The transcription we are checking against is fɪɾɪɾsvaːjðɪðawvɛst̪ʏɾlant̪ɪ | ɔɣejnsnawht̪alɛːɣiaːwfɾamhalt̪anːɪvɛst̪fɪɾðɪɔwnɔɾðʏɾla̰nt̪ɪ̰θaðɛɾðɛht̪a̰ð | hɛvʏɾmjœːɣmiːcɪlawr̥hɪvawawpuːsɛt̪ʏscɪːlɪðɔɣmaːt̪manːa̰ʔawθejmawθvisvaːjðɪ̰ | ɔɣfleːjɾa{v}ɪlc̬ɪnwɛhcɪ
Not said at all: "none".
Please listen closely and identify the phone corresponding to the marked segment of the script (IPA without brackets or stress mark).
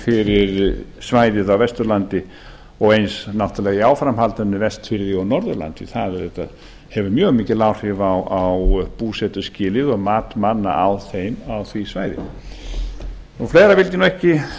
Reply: v